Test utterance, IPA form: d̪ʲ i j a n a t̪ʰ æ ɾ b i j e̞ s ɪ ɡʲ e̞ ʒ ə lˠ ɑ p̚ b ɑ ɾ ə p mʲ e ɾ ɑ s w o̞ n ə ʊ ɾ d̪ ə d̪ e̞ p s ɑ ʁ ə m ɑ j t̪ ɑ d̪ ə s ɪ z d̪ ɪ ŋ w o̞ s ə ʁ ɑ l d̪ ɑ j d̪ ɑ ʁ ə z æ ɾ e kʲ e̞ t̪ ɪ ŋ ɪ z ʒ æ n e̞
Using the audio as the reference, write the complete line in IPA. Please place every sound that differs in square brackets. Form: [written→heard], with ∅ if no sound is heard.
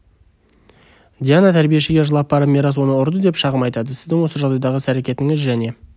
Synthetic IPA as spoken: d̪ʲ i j a n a t̪ʰ æ ɾ b i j e̞ [s→ʃ] ɪ ɡʲ e̞ ʒ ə lˠ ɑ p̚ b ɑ ɾ ə p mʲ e ɾ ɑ s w o̞ n ə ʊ ɾ d̪ ə d̪ e̞ p [s→ʃ] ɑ ʁ ə m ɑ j t̪ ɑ d̪ ə s ɪ z d̪ ɪ ŋ w o̞ s ə [ʁ→ʒ] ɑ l d̪ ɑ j d̪ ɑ ʁ ə [z→s] æ ɾ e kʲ e̞ t̪ ɪ ŋ ɪ z ʒ æ n e̞

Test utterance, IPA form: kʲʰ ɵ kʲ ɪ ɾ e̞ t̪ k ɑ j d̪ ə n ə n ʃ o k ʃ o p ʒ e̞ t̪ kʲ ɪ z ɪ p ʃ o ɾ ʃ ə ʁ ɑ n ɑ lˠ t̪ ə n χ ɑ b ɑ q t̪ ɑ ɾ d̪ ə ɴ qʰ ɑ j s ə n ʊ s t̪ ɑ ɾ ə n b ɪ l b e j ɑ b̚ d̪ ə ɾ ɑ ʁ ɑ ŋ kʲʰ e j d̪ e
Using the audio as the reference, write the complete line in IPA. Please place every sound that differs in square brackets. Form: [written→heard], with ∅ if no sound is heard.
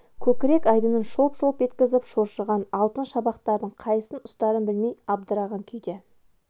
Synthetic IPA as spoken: kʲʰ ɵ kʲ ɪ ɾ e̞ [t̪→∅] k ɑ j d̪ ə n ə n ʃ o [k→p] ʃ o p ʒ e̞ t̪ kʲ ɪ z ɪ p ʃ o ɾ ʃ ə ʁ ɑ n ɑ lˠ t̪ ə n [χ→ʃ] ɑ b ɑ q t̪ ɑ ɾ d̪ ə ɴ qʰ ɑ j s ə n ʊ s t̪ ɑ ɾ ə n b ɪ l [b→m] e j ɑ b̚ d̪ ə ɾ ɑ ʁ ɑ ŋ kʲʰ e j d̪ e

